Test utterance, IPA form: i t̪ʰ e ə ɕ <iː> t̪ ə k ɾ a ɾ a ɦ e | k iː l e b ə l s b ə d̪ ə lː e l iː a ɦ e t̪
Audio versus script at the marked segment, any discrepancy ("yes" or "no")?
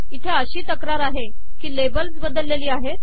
no